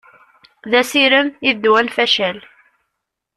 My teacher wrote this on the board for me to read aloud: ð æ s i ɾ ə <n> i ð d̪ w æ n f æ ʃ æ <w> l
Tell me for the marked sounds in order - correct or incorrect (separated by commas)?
incorrect, incorrect